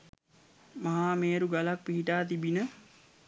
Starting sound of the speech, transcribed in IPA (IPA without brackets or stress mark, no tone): m